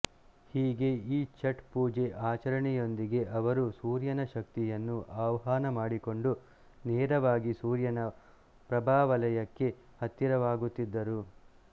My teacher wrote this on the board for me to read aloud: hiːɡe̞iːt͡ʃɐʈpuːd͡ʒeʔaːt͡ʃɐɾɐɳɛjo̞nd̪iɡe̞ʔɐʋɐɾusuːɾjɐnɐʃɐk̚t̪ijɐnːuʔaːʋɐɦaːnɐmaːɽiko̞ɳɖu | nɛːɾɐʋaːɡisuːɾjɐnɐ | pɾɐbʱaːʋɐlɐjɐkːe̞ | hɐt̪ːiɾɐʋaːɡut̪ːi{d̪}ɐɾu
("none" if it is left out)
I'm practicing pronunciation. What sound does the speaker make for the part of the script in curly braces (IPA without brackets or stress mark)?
d̪ː